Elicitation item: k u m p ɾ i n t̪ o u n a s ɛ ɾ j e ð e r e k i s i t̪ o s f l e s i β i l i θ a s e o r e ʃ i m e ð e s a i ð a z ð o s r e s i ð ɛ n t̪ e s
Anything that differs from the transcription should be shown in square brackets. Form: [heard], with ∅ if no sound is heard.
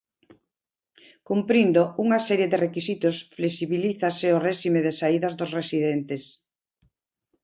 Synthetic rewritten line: k u m p ɾ i n [d̪] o u [ŋ] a s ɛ ɾ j e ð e r e k i s i t̪ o s f l e s i β i l i θ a s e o r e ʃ i m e ð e s a i ð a z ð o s r e s i ð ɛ n t̪ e s